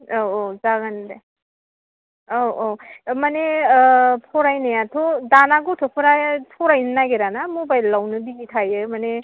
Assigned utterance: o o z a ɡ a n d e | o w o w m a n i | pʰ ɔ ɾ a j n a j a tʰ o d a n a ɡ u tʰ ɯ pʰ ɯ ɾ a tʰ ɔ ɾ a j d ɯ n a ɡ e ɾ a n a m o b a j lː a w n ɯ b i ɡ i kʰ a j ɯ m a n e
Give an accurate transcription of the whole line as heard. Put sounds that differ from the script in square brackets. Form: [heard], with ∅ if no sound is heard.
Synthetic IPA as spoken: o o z a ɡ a n d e | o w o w m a n [e] | pʰ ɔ ɾ a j n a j a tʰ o d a n a ɡ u tʰ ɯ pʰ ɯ ɾ a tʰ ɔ ɾ a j [n] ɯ n a ɡ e ɾ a n a m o b a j lː a w n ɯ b i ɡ i [tʰ] a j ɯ m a n e

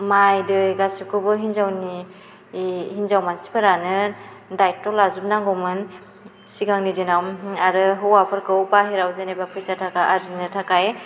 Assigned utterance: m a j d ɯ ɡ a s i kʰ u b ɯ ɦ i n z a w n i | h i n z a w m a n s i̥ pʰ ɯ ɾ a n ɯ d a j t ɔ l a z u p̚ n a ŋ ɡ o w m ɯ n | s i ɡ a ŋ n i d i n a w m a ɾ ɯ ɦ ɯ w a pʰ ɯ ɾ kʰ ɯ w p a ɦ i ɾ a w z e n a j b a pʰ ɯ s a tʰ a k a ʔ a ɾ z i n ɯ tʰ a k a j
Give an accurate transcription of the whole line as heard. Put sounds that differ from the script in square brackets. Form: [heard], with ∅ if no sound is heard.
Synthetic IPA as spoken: m a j d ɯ ɡ a s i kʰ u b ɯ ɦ i n z a w n i | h i n z a w m a n s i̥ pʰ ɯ ɾ a n ɯ d a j t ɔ l a z u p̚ n a ŋ ɡ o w m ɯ n | s i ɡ a ŋ n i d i n a w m a ɾ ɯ ɦ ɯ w a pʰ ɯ ɾ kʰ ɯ w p a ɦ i ɾ a w z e n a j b a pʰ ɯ s a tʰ a k a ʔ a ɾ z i n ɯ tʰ a k a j

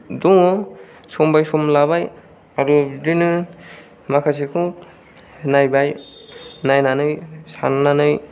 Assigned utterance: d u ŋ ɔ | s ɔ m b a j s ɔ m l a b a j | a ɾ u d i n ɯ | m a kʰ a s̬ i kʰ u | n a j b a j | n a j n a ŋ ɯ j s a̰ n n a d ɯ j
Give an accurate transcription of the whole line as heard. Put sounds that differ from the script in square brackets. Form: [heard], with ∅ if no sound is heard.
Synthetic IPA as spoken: d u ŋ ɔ | s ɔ m b a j s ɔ m l a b a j | a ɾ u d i n ɯ | m a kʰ a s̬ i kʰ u | n a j b a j | n a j n a [n] ɯ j s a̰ n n a [n] ɯ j

